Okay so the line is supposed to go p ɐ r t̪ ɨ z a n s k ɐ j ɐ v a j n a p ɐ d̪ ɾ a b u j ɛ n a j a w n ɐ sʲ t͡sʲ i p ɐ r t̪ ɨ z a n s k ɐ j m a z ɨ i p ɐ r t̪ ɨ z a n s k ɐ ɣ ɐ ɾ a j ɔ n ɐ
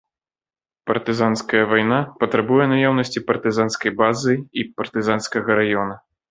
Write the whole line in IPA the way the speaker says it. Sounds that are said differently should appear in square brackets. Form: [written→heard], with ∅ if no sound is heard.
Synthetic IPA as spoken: p ɐ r t̪ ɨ z a n s k ɐ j ɐ v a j n a p ɐ [d̪→t̪] ɾ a b u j ɛ n a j a w n ɐ sʲ t͡sʲ i p ɐ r t̪ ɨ z a n s k ɐ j [m→b] a z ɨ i p ɐ r t̪ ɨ z a n s k ɐ ɣ ɐ ɾ a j ɔ n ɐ

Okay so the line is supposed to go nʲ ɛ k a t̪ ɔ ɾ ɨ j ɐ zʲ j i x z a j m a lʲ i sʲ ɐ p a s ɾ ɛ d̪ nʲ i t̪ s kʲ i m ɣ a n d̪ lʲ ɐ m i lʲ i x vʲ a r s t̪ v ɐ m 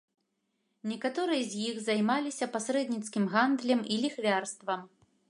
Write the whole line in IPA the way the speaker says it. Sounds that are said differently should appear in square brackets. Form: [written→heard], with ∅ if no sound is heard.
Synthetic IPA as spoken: nʲ ɛ k a t̪ ɔ ɾ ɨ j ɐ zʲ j i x z a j m a lʲ i sʲ ɐ p a s ɾ ɛ d̪ nʲ i t̪ s kʲ i m ɣ a n d̪ lʲ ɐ m i lʲ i x vʲ a r s t̪ v ɐ m

